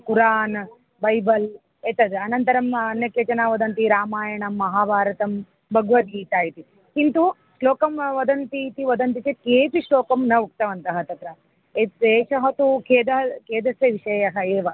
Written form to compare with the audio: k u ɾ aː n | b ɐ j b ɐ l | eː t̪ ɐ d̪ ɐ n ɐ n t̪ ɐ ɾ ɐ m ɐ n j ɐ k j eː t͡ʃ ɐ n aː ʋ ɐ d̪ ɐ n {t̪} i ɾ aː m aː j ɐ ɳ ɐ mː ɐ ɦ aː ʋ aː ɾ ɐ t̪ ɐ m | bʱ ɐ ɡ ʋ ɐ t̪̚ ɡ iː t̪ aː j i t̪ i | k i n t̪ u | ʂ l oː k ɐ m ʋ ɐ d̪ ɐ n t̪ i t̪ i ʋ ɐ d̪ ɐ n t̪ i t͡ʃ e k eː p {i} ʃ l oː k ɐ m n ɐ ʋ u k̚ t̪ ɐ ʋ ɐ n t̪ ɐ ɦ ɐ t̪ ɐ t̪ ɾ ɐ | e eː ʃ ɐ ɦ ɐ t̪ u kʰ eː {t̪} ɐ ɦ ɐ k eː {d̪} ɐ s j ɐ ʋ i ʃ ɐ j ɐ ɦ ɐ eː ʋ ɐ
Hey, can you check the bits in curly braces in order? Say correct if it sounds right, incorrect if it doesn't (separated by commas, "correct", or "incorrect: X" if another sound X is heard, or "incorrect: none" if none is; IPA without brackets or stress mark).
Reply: correct, correct, incorrect: d̪, correct